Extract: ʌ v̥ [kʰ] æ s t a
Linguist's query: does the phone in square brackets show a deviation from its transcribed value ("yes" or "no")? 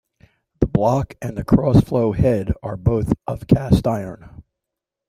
no